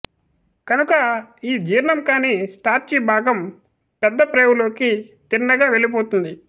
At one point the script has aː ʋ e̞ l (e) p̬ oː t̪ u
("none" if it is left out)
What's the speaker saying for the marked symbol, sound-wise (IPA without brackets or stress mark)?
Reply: i